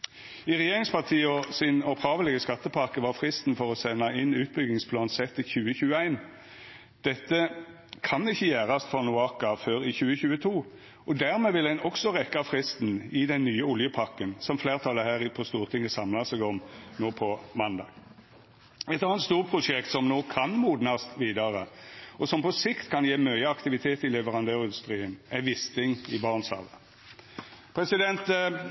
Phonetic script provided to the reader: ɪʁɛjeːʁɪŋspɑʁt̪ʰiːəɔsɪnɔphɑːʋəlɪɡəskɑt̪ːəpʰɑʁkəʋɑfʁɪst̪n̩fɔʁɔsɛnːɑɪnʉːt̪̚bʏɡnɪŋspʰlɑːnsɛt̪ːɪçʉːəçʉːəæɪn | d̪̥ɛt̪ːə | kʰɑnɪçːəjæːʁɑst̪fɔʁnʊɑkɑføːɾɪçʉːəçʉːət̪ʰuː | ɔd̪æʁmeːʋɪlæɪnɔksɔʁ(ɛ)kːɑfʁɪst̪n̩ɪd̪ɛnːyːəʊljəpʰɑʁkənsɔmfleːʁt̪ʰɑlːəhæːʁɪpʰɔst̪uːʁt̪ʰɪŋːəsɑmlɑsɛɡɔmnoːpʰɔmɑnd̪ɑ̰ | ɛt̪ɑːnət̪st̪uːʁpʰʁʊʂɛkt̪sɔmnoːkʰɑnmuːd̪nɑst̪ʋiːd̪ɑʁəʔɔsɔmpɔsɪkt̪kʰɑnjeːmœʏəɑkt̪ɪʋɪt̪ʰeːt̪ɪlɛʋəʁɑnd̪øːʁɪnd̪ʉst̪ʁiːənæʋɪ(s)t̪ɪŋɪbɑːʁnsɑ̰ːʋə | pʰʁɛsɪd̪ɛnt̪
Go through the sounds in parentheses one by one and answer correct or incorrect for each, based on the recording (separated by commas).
correct, correct